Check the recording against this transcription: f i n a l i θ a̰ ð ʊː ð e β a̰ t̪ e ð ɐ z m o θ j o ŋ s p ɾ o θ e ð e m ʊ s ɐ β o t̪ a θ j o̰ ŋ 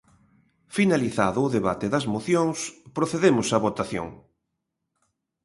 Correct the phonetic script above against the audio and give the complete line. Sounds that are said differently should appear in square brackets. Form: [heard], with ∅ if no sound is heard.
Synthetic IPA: f i n a l i θ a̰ ð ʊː ð e β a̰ t̪ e ð ɐ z m o θ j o ŋ s p ɾ o θ e ð e m ʊ s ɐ β o t̪ a θ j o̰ ŋ